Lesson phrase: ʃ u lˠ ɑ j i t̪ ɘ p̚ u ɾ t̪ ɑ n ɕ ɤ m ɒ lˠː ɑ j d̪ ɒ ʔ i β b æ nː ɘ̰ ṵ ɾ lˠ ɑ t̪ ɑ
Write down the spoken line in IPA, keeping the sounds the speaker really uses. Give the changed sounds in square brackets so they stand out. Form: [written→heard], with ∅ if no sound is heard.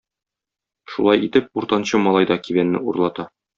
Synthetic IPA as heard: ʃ u lˠ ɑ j i t̪ ɘ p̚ u ɾ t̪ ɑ n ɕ ɤ m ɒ [lˠː→lˠ] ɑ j d̪ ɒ [ʔ→k] i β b æ nː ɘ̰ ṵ ɾ lˠ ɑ t̪ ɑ